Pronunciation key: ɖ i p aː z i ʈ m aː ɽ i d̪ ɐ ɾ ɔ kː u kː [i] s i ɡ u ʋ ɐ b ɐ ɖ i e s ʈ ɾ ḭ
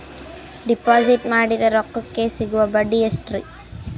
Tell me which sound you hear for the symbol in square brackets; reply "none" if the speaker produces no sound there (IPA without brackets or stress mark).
e